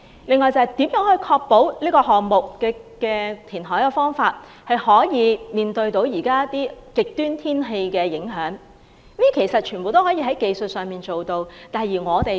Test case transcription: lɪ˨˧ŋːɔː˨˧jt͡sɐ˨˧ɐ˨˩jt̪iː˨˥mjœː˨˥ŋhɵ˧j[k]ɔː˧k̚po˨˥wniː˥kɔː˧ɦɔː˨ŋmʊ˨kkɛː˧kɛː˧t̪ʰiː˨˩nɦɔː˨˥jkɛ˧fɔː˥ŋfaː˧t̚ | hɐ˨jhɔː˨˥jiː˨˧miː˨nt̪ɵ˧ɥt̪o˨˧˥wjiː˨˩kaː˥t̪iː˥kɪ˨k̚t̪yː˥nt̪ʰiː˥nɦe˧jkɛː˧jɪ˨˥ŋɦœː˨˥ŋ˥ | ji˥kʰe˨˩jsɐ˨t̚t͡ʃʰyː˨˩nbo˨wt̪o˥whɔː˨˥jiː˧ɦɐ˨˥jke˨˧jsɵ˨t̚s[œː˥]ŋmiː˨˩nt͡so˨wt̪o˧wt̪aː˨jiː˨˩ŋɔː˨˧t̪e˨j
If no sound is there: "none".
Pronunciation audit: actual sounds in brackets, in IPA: kʰ, œː˨

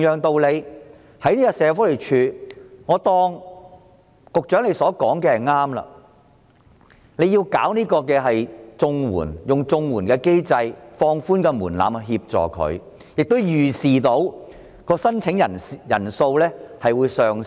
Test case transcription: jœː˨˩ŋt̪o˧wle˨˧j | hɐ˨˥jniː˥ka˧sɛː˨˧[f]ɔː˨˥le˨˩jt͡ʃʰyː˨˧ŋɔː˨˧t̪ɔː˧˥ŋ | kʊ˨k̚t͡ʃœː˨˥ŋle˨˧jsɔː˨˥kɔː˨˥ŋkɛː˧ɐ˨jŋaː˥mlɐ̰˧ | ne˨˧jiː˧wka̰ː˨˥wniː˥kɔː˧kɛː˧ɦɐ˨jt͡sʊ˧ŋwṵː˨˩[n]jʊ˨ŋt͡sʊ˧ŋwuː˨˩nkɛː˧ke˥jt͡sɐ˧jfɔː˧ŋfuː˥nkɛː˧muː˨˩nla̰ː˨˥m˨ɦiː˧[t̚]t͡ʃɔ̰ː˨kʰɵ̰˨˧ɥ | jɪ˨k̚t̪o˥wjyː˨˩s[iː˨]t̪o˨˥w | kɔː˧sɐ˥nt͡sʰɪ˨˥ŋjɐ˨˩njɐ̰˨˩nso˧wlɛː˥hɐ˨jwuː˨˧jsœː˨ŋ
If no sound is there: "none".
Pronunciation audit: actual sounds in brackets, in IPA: f, n, p̚, iː˨

